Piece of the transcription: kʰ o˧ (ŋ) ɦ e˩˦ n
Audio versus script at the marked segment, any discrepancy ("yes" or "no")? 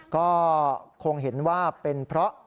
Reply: no